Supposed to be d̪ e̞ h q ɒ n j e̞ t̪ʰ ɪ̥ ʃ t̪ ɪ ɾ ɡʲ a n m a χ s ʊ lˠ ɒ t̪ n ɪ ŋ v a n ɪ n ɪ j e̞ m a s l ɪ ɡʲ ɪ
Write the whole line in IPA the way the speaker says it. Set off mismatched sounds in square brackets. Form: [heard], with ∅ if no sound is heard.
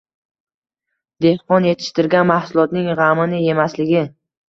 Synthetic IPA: d̪ e̞ h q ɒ n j e̞ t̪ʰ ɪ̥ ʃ t̪ ɪ ɾ ɡʲ a n m a [h] s ʊ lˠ ɒ t̪ n ɪ ŋ [ʁ] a [m] ɪ n ɪ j e̞ m a s l ɪ ɡʲ ɪ